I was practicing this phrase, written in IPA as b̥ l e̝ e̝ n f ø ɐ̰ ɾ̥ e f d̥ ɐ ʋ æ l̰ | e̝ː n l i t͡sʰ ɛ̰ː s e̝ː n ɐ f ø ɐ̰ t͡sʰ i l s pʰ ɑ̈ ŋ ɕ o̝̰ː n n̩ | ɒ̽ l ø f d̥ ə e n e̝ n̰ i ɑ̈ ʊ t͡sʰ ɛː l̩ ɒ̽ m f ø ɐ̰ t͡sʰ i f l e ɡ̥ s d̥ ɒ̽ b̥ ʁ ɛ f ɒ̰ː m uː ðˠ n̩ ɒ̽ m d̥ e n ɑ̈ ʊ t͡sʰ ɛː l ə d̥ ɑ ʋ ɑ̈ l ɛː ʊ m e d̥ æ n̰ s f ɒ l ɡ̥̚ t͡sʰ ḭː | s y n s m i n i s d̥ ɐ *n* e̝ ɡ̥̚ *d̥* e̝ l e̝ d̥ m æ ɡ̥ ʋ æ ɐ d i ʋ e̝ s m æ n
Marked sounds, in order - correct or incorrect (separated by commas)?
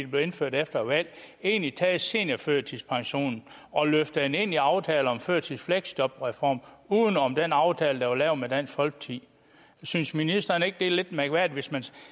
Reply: correct, correct